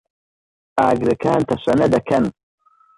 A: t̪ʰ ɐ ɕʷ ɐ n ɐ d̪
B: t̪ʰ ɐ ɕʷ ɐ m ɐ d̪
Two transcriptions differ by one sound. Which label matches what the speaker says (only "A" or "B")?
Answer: A